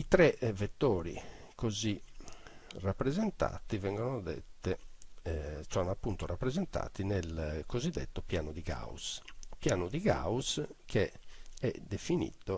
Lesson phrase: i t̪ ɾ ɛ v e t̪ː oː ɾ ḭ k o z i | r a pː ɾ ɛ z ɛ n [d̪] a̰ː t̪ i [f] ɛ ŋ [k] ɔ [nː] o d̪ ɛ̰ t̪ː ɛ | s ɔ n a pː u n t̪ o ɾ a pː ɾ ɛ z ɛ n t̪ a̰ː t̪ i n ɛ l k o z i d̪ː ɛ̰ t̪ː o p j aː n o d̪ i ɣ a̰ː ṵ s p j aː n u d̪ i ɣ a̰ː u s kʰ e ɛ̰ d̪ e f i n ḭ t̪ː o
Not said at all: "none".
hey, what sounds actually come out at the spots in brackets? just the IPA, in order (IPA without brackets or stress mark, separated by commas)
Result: t̪, v, ɡ, n